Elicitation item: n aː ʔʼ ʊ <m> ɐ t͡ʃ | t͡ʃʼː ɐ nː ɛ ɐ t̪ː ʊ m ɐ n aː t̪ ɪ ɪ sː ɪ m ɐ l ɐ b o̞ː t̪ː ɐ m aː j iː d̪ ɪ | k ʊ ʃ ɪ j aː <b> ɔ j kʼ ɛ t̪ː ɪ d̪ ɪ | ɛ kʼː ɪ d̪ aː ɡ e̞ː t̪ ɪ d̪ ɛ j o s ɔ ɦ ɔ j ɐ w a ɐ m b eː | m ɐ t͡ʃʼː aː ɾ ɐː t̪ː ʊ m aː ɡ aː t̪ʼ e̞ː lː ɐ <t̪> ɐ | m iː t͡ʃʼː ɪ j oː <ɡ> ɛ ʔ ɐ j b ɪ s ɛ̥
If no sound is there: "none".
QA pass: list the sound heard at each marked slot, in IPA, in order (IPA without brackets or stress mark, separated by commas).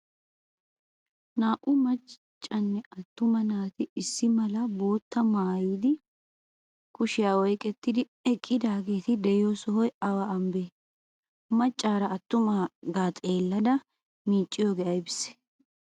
m, w, d̪, ɡ